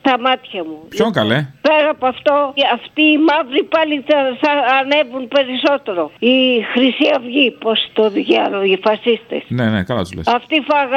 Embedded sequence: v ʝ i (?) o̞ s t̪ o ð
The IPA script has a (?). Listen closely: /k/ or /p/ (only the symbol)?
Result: p